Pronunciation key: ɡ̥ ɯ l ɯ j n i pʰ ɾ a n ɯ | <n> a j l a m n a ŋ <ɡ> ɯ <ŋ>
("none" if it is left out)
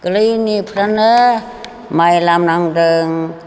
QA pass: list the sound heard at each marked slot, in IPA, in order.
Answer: m, d, ŋ

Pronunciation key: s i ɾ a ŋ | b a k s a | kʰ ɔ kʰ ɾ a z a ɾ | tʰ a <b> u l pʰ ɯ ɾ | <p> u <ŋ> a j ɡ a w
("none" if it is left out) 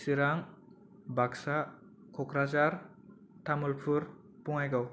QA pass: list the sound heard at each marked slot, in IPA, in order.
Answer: m, p, ŋ

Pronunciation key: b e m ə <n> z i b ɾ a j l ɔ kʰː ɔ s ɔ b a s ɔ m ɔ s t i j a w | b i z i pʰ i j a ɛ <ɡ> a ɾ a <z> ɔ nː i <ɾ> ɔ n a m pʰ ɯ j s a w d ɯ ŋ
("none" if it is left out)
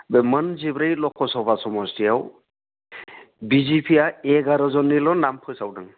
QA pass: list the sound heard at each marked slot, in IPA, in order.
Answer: n, ɡ, z, l

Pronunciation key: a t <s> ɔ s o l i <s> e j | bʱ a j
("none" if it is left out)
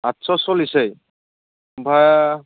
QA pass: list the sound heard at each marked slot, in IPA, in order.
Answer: s, s

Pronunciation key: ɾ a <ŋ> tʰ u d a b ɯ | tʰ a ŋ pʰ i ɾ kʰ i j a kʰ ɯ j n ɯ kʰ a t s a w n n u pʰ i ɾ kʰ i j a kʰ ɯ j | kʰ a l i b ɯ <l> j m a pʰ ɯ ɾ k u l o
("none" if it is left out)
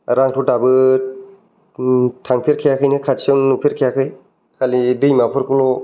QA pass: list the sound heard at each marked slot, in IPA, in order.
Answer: ŋ, none

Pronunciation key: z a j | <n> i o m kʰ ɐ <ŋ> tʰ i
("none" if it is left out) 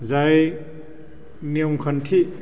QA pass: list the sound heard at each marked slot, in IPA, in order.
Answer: n, n

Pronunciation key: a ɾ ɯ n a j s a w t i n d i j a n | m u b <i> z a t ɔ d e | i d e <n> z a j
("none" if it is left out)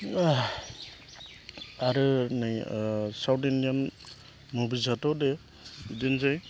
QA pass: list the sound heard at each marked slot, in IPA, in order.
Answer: i, n

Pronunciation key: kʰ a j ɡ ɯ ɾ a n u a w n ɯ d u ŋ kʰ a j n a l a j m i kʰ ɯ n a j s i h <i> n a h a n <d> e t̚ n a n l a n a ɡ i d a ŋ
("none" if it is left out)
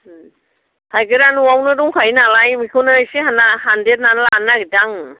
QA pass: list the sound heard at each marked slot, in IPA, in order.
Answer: a, d

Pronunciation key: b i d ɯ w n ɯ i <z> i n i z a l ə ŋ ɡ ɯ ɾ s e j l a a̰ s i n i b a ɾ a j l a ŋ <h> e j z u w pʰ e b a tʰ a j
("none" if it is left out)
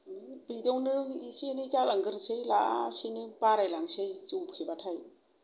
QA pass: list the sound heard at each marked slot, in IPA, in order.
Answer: s, s

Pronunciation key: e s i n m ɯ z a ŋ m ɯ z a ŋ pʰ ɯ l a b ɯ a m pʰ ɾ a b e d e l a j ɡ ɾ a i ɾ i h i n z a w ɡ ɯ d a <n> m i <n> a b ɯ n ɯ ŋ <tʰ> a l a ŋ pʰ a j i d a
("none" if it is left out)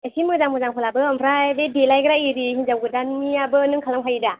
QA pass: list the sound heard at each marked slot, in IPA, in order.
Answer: n, none, kʰ

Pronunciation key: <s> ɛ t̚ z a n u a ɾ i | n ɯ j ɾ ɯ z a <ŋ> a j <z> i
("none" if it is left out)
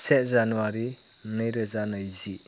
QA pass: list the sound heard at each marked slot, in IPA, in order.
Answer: s, n, z

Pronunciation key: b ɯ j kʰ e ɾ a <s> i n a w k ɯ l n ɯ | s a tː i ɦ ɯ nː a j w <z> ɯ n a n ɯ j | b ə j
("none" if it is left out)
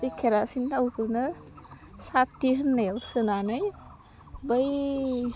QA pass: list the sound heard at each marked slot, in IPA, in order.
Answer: s, s

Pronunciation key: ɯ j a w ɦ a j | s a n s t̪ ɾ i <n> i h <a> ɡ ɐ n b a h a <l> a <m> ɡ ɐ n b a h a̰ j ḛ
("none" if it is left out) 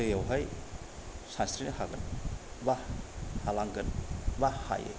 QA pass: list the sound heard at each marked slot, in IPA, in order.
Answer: n, a, l, ŋ

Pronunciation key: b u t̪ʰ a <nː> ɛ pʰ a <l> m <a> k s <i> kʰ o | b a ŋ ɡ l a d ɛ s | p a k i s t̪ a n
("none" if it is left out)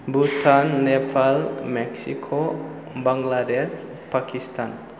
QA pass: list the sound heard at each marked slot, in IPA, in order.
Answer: nː, l, ɛ, i

